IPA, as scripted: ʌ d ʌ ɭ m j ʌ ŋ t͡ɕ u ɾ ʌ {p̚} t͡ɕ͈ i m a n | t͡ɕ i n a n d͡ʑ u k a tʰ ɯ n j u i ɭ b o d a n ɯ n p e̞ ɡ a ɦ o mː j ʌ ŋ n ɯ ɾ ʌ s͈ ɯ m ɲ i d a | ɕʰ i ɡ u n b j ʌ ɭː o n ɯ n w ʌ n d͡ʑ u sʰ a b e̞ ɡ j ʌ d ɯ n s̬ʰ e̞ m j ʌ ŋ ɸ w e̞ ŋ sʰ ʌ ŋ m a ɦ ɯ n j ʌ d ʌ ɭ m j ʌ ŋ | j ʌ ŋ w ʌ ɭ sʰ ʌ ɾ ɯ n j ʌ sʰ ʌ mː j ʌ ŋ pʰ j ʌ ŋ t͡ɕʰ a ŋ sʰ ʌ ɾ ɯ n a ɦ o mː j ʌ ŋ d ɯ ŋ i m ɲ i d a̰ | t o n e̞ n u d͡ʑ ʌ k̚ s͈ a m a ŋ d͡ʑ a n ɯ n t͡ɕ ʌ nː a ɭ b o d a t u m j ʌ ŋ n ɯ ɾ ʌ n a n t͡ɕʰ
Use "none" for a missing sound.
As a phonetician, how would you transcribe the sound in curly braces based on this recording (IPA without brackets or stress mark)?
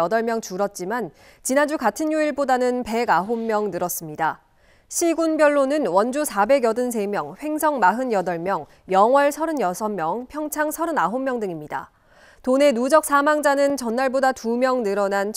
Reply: t̚